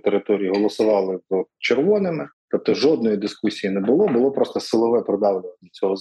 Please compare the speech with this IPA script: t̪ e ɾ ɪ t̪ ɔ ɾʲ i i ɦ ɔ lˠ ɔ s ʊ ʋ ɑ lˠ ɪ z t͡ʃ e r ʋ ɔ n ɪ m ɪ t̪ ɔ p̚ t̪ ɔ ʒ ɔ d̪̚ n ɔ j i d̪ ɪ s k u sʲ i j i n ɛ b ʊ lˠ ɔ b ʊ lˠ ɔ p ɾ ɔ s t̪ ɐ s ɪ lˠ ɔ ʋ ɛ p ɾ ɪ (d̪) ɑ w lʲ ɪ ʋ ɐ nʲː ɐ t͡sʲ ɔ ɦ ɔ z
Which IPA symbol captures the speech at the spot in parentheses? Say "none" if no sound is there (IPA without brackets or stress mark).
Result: d̪